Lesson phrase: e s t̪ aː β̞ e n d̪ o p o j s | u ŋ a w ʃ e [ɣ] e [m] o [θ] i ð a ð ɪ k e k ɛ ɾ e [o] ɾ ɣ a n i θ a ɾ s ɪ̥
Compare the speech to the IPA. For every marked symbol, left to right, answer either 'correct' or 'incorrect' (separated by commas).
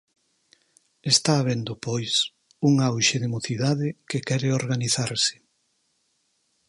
incorrect, correct, correct, correct